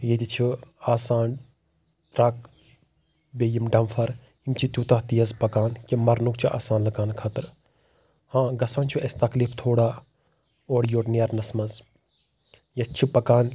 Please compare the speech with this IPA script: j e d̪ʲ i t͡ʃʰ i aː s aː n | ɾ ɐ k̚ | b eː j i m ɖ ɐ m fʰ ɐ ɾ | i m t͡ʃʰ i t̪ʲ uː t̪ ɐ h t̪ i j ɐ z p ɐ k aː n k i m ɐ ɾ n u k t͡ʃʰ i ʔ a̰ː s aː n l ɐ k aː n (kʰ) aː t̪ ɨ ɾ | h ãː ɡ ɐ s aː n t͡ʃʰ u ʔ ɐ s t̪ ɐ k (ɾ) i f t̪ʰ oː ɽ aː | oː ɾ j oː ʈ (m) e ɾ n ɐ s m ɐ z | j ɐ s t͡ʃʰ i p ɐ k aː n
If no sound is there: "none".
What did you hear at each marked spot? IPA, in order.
kʰ, l, n

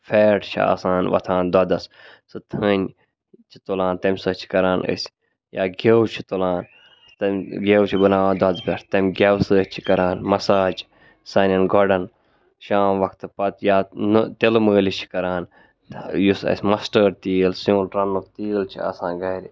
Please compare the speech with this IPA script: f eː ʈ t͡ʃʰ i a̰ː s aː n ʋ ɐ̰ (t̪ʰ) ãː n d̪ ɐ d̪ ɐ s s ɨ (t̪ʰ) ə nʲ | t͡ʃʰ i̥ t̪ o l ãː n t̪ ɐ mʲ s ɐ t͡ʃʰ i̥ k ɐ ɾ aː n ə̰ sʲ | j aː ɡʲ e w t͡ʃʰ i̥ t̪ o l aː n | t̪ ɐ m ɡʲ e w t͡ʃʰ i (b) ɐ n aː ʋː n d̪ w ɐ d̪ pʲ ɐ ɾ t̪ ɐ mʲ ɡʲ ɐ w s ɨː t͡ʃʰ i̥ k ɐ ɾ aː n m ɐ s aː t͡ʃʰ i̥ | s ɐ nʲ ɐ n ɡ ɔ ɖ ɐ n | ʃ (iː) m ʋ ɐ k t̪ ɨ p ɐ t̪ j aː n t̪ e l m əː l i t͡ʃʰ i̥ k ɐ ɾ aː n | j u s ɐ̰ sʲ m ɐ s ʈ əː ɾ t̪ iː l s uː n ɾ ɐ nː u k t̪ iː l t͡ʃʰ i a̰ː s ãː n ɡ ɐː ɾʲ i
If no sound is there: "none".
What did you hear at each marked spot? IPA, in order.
t̪ʰ, t̪ʰ, b, aː

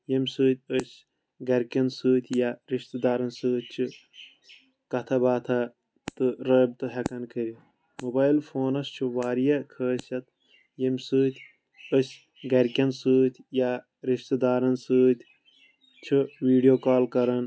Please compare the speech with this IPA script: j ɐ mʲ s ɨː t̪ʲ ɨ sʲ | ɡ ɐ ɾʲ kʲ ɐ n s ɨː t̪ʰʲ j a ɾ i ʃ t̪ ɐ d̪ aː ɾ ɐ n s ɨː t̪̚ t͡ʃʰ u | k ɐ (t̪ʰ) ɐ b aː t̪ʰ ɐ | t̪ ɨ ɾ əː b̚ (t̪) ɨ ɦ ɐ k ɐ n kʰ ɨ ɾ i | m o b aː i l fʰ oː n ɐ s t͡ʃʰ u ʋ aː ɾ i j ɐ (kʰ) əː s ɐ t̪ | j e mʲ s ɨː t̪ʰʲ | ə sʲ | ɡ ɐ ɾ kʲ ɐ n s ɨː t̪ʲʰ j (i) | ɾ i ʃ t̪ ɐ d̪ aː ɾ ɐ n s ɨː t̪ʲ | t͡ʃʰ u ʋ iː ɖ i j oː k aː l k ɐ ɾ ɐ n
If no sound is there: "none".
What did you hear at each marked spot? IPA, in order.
t̪ʰ, t̪, kʰ, a

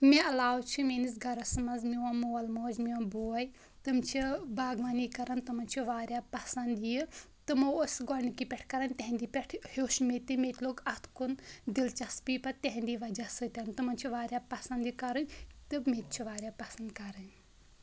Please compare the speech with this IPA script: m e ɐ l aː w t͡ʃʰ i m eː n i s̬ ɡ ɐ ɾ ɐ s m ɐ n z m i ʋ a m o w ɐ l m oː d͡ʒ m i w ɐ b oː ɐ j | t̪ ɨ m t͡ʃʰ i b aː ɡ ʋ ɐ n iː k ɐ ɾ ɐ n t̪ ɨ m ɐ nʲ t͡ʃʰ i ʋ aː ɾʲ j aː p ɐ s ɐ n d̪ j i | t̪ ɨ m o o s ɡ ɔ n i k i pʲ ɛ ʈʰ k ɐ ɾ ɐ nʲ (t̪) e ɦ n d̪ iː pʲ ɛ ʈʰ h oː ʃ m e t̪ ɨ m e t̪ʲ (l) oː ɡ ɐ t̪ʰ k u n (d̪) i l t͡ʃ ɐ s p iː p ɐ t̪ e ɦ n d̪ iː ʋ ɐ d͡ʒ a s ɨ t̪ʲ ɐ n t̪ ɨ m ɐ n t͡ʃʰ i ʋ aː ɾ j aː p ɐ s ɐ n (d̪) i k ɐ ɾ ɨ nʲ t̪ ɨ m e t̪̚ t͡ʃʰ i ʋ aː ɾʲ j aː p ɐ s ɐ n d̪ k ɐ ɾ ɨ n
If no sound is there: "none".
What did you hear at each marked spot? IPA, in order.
t̪, l, d̪, d̪

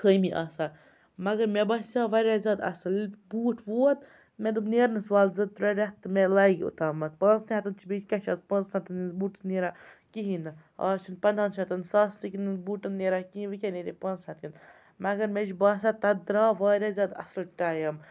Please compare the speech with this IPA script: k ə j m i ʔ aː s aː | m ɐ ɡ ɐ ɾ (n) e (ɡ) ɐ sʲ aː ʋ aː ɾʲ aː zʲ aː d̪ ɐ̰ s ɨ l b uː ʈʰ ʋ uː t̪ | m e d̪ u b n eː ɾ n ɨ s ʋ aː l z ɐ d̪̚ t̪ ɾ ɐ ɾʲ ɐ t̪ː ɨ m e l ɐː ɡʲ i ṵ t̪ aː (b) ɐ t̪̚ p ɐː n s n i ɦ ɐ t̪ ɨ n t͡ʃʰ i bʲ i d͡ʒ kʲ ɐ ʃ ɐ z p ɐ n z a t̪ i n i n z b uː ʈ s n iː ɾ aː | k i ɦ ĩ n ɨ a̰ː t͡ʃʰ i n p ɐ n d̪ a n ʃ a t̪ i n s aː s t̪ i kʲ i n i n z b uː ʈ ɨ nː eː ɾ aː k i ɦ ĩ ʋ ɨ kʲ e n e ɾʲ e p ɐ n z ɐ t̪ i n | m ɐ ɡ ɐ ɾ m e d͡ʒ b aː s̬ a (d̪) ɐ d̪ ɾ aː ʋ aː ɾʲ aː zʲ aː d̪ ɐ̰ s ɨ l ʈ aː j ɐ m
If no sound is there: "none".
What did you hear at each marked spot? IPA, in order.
m, b, m, t̪

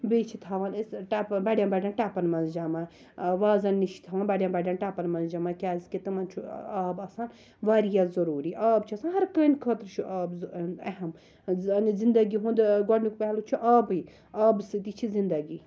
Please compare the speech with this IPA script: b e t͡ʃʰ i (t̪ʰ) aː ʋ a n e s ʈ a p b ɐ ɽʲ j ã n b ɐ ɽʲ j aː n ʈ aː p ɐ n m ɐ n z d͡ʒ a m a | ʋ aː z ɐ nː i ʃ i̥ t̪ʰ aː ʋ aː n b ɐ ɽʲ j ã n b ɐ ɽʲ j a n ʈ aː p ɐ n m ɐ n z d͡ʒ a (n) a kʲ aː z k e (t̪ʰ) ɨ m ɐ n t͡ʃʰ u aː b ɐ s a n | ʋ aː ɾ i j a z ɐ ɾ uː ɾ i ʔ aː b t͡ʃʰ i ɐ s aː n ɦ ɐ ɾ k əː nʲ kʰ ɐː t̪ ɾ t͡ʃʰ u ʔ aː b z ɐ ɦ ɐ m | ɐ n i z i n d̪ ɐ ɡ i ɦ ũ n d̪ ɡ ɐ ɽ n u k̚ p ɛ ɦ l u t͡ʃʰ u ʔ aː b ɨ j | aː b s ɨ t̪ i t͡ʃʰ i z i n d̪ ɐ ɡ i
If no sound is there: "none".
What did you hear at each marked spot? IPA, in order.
t̪ʰ, m, t̪

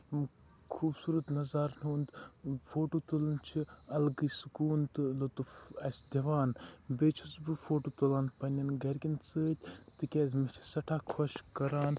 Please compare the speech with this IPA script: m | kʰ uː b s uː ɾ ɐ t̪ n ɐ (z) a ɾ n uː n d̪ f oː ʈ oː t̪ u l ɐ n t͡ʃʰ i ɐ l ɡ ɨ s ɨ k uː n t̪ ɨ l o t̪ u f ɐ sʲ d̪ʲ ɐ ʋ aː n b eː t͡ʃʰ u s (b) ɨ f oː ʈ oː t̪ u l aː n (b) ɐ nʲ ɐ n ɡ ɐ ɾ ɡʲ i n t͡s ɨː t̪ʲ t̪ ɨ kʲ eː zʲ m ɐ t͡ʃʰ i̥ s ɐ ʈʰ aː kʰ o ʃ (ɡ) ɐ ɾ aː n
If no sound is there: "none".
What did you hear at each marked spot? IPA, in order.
z, b, p, k

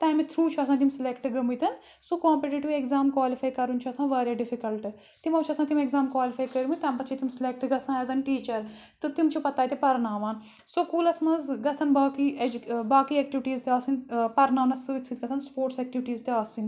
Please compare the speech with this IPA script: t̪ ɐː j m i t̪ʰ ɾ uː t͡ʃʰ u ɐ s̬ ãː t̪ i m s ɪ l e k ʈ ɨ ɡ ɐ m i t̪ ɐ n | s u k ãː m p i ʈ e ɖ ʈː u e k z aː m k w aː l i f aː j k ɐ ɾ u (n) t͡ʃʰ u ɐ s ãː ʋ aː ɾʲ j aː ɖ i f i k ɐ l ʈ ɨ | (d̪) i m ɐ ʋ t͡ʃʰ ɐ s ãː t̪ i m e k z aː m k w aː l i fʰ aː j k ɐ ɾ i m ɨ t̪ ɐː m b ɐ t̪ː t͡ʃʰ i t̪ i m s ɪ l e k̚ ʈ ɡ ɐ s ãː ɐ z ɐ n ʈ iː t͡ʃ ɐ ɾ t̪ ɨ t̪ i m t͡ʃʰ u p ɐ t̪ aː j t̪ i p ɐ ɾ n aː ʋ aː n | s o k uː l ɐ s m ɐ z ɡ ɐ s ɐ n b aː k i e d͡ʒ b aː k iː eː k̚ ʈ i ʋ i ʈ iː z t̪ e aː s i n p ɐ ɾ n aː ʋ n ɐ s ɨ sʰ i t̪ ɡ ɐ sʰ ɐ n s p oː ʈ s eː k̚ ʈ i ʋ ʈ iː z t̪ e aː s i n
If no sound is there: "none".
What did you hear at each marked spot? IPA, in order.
n, t̪

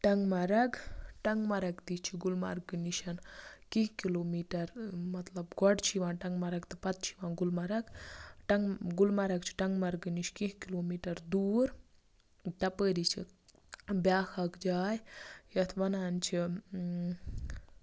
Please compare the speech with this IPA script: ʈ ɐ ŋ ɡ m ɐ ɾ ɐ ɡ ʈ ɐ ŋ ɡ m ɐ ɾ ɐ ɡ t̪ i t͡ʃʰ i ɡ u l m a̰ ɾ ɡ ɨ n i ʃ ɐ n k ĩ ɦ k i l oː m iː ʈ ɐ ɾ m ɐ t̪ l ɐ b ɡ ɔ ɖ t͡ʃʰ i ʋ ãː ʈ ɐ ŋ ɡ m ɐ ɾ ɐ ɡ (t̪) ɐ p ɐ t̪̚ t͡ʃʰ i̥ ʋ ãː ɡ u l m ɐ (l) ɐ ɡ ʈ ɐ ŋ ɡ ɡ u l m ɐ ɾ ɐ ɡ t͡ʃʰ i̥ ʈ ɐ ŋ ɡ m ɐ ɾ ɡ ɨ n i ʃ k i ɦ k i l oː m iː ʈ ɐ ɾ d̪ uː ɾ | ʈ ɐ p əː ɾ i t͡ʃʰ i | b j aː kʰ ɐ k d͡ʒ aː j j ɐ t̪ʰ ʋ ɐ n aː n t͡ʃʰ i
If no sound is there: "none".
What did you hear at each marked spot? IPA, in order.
t̪, ɾ

